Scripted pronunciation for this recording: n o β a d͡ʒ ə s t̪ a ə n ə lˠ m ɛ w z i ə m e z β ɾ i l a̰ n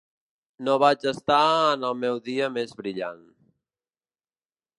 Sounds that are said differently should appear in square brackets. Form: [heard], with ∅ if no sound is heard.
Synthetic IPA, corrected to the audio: n o β a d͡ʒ ə s t̪ a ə n ə lˠ m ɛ w [ð] i ə m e z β ɾ i [ʎ] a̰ n